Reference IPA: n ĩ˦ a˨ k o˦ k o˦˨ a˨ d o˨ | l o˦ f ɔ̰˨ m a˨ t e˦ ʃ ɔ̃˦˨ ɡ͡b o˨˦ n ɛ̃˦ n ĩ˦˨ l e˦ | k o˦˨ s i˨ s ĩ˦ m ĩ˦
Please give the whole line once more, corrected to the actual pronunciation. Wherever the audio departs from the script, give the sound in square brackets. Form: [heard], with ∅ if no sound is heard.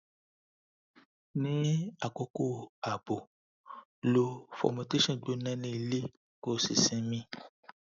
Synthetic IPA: n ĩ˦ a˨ k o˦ k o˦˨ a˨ [b] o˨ | l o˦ f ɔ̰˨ m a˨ t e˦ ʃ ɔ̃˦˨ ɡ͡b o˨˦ n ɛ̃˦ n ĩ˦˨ l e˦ | k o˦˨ s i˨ s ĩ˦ m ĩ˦